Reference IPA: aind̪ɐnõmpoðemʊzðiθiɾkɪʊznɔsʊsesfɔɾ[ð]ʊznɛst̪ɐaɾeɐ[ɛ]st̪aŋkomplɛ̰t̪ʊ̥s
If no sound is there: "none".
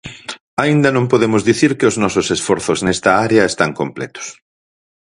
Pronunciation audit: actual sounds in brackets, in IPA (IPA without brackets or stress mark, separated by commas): θ, e